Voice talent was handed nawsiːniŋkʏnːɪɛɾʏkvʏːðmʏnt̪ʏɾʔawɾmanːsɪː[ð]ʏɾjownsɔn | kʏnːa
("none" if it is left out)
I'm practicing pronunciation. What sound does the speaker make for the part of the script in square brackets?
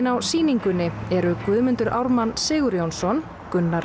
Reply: ɣ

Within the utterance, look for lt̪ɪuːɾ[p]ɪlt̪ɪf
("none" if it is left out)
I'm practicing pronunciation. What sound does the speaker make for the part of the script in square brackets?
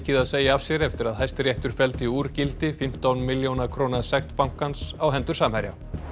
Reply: c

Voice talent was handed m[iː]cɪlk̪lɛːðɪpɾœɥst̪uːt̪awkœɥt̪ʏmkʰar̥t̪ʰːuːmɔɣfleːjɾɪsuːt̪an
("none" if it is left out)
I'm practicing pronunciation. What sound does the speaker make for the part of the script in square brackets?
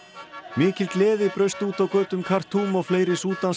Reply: ɪː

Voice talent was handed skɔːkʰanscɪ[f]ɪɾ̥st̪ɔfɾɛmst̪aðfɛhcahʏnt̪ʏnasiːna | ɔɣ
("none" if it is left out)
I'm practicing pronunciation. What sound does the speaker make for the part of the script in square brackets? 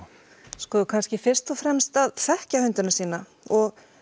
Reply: f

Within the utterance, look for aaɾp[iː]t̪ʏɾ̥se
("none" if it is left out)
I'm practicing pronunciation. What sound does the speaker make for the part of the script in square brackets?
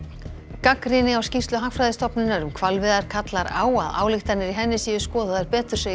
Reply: ɛː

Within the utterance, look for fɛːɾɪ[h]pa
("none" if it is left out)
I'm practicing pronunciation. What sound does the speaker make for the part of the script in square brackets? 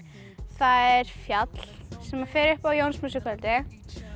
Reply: h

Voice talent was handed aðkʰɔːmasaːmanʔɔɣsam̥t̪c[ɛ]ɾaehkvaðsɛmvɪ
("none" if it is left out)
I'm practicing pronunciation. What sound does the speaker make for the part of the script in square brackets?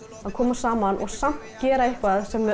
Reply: ɛː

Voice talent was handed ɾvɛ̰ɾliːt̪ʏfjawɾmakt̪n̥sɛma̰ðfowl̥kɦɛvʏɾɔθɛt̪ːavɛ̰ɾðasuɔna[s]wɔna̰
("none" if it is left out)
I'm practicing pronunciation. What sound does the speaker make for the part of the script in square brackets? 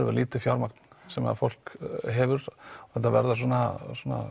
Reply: s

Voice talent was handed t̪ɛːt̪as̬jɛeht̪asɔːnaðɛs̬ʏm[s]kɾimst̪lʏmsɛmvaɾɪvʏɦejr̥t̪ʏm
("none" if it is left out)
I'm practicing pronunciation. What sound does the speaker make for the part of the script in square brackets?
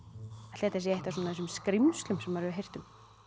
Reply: s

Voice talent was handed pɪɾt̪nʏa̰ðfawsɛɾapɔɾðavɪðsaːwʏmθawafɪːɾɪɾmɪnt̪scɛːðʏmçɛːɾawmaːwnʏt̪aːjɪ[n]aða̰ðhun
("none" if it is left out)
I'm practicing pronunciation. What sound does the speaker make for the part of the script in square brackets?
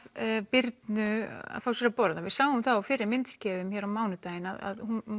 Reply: n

